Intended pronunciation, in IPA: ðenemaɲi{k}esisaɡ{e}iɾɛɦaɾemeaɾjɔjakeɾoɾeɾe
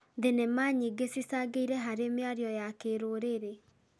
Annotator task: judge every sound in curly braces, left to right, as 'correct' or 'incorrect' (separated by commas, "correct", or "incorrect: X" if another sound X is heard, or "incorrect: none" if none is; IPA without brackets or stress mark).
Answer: incorrect: ɡ, correct